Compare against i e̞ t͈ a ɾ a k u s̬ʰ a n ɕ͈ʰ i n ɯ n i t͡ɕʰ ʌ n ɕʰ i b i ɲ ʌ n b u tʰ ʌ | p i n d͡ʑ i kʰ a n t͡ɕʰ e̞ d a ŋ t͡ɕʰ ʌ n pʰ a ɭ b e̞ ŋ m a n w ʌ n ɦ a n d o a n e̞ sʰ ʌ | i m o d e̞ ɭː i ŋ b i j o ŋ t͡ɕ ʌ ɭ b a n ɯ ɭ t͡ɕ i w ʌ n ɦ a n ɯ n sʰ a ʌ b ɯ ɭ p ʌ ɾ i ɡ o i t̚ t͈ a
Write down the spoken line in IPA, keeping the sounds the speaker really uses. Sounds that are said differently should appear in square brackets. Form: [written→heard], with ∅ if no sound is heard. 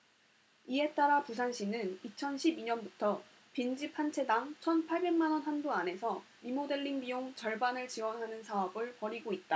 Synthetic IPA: i e̞ t͈ a ɾ a [k→p] u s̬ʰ a n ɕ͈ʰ i n ɯ n i t͡ɕʰ ʌ n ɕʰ i b i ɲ ʌ n b u tʰ ʌ | p i n d͡ʑ i [kʰ→pʰ] a n t͡ɕʰ e̞ d a ŋ t͡ɕʰ ʌ n pʰ a ɭ b e̞ ŋ m a n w ʌ n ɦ a n d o a n e̞ sʰ ʌ | i m o d e̞ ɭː i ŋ b i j o ŋ t͡ɕ ʌ ɭ b a n ɯ ɭ t͡ɕ i w ʌ n ɦ a n ɯ n sʰ a ʌ b ɯ ɭ p ʌ ɾ i ɡ o i t̚ t͈ a